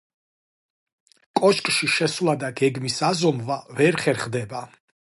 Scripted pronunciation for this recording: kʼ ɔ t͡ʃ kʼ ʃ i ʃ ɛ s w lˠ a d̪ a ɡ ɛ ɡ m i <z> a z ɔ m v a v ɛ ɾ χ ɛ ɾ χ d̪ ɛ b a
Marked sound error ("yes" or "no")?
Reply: yes